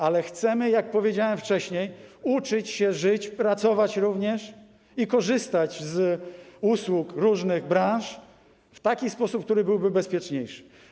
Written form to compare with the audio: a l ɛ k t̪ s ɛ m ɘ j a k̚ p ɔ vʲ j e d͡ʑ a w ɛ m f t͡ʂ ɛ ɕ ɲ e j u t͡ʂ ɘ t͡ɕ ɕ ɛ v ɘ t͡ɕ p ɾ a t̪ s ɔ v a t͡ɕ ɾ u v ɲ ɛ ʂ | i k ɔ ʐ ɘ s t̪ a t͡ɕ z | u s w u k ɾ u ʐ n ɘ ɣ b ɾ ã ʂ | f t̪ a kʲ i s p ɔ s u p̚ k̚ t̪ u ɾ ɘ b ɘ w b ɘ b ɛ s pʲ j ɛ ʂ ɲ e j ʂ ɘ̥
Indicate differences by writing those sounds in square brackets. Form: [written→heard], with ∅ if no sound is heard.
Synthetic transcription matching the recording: a l ɛ [k→x] t̪ s ɛ m ɘ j a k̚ p ɔ vʲ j e d͡ʑ a w ɛ m f t͡ʂ ɛ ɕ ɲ e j u t͡ʂ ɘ t͡ɕ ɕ ɛ [v→ʐ] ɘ t͡ɕ p ɾ a t̪ s ɔ v a t͡ɕ ɾ u v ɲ ɛ ʂ | i k ɔ ʐ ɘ s t̪ a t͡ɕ z | u s w u k ɾ u ʐ n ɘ ɣ b ɾ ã ʂ | f t̪ a kʲ i s p ɔ s u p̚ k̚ t̪ u ɾ ɘ b ɘ w b ɘ b ɛ s pʲ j ɛ [ʂ→t͡ʂ] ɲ e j ʂ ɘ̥

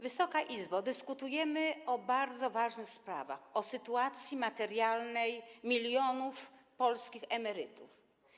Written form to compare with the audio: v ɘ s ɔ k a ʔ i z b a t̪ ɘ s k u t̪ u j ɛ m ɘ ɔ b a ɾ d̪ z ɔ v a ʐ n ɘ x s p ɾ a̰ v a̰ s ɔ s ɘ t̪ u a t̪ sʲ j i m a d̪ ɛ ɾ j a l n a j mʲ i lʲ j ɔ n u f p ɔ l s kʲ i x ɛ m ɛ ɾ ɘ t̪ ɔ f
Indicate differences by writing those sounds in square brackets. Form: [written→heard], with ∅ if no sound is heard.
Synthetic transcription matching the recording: v ɘ s ɔ k a ʔ i z b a [t̪→d̪] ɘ s k u t̪ u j ɛ m ɘ ɔ b a ɾ d̪ z ɔ v a ʐ n ɘ x s p ɾ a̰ v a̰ [s→x] ɔ s ɘ t̪ u a t̪ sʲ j i m a [d̪→t̪] ɛ ɾ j a l n [a→ɛ] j mʲ i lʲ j ɔ n u f p ɔ l s kʲ i x ɛ m ɛ ɾ ɘ t̪ [ɔ→u] f

